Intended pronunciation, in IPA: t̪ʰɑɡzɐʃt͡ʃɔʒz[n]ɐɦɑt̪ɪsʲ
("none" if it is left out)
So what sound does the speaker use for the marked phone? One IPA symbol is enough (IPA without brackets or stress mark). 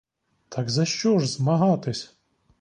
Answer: m